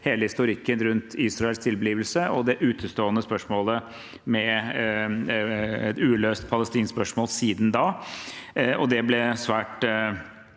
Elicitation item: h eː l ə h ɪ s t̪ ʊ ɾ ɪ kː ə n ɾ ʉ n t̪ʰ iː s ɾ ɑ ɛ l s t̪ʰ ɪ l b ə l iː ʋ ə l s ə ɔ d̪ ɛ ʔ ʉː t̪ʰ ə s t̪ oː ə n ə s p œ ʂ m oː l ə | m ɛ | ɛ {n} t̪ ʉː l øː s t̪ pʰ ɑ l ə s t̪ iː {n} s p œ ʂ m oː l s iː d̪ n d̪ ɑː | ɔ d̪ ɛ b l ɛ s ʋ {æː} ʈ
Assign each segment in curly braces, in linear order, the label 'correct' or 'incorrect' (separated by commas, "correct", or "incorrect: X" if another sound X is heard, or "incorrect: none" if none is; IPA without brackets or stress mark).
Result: incorrect: none, correct, correct